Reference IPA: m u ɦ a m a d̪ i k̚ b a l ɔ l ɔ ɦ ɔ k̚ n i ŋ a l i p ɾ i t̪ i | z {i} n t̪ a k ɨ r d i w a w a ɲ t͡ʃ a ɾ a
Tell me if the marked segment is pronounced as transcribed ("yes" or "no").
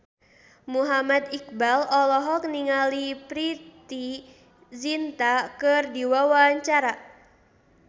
yes